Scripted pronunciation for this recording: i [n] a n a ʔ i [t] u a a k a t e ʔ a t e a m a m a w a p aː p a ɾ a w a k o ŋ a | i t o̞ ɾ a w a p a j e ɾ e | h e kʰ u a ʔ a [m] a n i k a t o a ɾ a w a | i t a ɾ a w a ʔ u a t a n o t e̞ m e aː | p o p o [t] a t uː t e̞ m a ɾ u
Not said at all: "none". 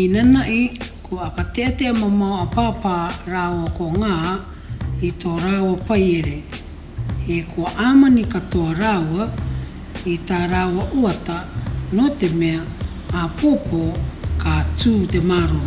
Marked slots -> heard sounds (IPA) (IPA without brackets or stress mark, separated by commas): n, k, m, k